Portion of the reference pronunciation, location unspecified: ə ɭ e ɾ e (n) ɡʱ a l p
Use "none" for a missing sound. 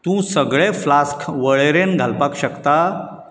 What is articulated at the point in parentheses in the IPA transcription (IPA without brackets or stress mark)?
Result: n